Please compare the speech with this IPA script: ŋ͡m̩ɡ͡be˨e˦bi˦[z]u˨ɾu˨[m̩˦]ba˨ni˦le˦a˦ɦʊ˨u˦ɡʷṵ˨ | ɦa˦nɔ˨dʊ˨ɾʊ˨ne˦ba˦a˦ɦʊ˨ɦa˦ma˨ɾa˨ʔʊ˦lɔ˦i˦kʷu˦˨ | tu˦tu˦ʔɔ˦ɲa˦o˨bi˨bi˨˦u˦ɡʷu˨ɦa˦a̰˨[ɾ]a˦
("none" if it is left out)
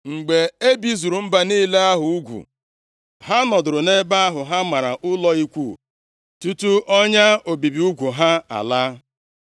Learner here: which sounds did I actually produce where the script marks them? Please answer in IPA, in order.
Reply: z, m̩˦, l

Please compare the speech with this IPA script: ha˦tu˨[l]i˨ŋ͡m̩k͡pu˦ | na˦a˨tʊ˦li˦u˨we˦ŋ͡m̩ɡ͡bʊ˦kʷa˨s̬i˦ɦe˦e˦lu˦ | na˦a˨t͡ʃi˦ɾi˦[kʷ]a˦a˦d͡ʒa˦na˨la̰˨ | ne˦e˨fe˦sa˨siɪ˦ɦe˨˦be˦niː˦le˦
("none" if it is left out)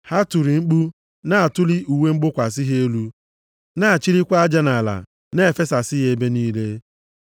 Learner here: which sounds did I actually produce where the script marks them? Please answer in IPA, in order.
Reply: ɾ, kʷ

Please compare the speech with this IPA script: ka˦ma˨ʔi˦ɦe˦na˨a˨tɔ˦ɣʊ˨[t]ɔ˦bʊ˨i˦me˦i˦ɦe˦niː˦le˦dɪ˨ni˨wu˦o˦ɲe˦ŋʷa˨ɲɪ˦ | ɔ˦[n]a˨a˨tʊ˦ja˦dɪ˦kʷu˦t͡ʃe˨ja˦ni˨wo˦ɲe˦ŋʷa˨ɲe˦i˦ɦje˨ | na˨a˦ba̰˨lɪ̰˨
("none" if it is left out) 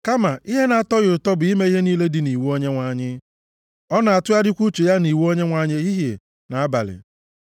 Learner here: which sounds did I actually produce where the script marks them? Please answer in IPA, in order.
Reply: t, n

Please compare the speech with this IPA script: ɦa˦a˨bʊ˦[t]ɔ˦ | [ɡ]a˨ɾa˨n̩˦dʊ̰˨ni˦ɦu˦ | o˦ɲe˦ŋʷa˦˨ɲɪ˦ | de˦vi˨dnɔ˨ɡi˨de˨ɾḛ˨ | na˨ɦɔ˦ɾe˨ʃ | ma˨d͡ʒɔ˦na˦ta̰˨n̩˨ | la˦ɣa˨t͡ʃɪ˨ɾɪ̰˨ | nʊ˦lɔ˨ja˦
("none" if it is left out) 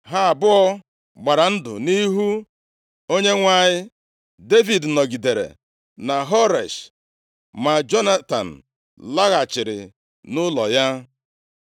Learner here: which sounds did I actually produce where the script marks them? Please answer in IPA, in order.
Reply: none, ɡ͡b

